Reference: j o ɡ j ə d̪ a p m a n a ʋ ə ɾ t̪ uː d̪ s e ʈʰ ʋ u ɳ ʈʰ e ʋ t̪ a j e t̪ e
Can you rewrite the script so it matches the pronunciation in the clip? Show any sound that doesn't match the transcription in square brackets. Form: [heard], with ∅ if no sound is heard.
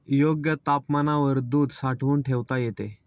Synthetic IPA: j o ɡ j ə [t̪] a p m a n a ʋ ə ɾ [d̪] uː d̪ s [a] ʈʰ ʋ [uː] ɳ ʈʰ e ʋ t̪ a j e t̪ e